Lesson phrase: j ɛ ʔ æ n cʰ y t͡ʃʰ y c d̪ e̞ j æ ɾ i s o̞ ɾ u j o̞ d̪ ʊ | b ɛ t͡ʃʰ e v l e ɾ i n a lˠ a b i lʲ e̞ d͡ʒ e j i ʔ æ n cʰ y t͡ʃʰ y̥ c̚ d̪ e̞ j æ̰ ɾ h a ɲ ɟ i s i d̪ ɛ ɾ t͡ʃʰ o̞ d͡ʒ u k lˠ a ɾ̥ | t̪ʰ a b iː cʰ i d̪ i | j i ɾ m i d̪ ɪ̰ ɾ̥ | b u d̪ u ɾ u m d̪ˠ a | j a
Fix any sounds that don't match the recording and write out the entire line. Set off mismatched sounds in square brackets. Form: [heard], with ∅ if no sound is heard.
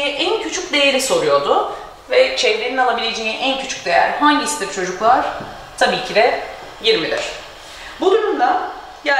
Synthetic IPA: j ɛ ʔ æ n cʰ y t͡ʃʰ y c d̪ e̞ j [e] ɾ i s o̞ ɾ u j o̞ d̪ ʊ | [v] ɛ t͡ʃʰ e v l e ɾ i n a lˠ a b i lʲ e̞ d͡ʒ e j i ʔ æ n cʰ y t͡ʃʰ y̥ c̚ d̪ e̞ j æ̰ ɾ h a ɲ ɟ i s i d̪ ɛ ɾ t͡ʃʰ o̞ d͡ʒ u k lˠ a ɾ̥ | t̪ʰ a b iː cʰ i d̪ [ɛ] | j i ɾ m i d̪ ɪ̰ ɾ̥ | b u d̪ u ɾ u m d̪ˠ a | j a